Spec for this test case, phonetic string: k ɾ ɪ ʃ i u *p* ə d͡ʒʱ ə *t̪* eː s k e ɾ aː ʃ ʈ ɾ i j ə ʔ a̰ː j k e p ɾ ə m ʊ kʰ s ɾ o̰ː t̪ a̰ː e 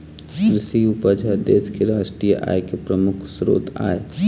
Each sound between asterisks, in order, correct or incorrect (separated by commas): correct, incorrect